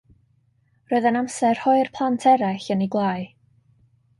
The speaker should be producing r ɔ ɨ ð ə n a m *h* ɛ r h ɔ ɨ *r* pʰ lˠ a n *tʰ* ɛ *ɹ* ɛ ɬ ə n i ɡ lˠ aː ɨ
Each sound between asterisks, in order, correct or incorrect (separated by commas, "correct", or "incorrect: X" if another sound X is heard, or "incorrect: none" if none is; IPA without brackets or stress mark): incorrect: s, correct, correct, incorrect: ɾ